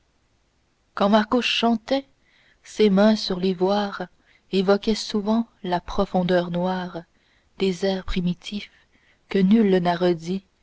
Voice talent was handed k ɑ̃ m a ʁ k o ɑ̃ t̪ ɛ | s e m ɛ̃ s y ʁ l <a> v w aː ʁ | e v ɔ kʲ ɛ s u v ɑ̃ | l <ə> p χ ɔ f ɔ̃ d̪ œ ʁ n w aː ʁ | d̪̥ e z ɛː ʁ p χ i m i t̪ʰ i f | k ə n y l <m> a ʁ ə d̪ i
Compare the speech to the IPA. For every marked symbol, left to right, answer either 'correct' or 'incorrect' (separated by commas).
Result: incorrect, incorrect, incorrect